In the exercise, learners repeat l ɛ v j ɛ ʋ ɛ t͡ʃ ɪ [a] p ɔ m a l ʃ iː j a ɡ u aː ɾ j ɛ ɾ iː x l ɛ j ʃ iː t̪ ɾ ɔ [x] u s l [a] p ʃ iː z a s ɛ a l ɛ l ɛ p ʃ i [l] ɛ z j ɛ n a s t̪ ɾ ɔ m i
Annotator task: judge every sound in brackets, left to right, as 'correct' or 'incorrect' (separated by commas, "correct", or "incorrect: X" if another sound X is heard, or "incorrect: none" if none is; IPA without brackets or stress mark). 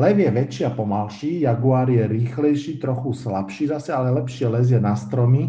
correct, correct, correct, correct